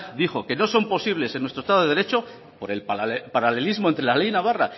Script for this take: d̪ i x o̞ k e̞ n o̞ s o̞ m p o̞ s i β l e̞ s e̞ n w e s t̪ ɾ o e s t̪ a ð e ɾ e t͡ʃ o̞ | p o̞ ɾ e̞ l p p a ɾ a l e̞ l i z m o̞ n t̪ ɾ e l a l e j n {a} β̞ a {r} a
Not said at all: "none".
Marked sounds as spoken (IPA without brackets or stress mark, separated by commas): a, r